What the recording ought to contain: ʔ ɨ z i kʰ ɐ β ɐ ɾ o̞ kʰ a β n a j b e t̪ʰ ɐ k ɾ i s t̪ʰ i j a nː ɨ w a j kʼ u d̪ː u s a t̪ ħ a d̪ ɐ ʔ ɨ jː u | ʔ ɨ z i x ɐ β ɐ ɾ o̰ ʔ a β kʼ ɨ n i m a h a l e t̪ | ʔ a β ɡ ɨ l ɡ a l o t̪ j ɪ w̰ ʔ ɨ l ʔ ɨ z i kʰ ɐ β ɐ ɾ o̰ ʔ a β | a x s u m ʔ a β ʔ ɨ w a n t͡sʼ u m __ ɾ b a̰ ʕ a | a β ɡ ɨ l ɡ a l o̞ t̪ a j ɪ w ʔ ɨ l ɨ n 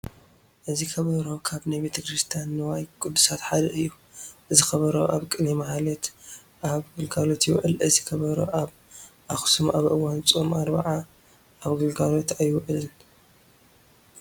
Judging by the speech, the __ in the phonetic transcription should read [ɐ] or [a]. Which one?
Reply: a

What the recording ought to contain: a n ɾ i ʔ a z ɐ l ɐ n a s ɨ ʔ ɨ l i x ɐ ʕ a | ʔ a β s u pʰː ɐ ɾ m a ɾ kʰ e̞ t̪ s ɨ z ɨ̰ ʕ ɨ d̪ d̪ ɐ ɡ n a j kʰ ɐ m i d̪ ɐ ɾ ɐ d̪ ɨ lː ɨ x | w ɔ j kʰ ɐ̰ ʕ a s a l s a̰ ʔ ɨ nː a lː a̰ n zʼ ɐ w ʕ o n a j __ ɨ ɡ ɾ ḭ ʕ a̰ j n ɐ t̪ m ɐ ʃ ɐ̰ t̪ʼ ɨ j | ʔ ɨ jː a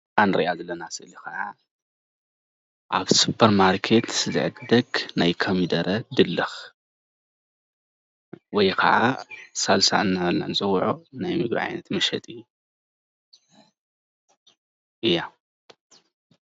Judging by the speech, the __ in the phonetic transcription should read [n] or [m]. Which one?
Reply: m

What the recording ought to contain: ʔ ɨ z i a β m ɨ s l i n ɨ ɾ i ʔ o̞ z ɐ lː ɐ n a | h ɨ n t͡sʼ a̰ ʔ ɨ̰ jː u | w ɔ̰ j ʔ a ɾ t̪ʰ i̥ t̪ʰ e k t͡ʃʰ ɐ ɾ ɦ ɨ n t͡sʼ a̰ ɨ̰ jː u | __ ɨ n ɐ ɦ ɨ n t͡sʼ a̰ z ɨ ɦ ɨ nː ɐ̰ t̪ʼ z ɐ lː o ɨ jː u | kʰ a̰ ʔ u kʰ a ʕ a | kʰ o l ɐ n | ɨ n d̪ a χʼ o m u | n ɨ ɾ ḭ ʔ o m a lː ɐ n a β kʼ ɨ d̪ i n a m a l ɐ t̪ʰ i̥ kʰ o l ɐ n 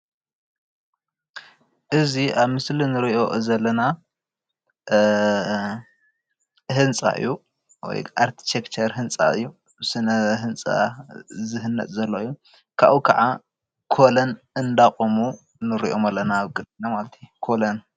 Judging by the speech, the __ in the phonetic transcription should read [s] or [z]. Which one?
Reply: s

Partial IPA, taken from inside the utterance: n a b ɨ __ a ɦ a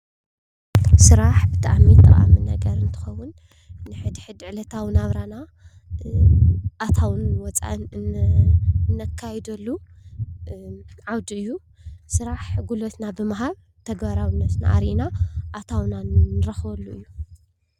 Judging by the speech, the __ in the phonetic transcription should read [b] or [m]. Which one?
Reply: m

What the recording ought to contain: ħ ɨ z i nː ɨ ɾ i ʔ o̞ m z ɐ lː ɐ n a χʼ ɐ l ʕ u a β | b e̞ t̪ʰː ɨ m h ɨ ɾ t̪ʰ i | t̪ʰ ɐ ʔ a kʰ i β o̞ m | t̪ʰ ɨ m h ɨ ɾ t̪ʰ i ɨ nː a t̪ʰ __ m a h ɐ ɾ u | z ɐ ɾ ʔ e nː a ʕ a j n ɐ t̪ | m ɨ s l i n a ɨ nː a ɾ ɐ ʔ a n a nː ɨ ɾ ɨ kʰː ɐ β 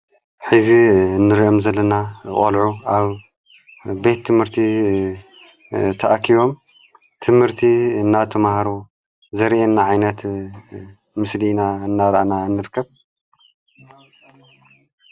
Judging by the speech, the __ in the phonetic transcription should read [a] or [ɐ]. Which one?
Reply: ɐ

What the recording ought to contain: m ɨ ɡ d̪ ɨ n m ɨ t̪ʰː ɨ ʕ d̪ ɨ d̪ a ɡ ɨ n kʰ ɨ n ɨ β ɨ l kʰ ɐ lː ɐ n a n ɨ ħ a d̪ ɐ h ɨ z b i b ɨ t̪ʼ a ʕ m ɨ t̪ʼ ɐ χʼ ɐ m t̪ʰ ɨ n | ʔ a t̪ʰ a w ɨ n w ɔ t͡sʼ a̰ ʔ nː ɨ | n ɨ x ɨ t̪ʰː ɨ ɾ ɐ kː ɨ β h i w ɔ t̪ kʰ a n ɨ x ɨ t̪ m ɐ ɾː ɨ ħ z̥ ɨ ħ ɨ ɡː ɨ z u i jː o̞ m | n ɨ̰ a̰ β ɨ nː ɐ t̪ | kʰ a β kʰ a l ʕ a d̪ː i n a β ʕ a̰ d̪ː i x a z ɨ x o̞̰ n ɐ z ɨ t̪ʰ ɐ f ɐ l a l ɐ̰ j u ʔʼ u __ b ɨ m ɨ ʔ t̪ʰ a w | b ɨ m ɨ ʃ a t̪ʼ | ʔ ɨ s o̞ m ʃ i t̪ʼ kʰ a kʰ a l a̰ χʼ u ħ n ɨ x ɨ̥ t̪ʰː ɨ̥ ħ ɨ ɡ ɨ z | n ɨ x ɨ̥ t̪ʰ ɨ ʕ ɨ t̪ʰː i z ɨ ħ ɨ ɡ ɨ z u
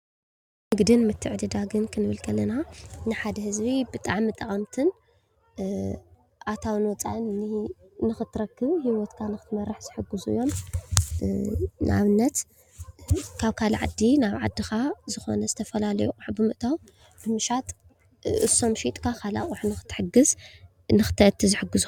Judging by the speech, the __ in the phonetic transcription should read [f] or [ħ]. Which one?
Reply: ħ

